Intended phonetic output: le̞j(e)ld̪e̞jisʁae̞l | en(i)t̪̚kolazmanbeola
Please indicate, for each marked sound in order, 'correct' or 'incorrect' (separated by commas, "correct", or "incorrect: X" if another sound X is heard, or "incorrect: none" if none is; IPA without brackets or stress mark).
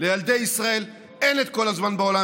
incorrect: a, incorrect: e